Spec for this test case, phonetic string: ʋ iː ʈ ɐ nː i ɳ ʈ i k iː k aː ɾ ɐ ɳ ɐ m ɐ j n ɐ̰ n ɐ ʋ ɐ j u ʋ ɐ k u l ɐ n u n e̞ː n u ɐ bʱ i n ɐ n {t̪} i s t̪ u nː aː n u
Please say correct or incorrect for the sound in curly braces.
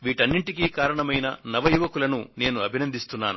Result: incorrect